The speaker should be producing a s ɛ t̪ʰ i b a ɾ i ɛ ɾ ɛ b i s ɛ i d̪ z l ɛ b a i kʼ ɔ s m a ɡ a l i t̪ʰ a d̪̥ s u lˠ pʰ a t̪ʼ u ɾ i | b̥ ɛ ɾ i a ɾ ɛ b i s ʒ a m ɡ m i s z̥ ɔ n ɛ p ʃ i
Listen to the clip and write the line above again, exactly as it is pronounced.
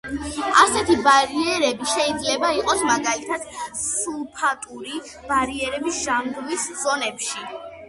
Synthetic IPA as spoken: a s ɛ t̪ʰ i b a ɾ i ɛ ɾ ɛ b i ʃ ɛ i d̪ z l ɛ b a i qʼ ɔ s m a ɡ a l i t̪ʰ a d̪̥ s u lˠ pʰ a t̪ʼ u ɾ i | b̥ a ɾ i ɛ ɾ ɛ b i s ʒ a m ɡ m i s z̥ ɔ n ɛ p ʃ i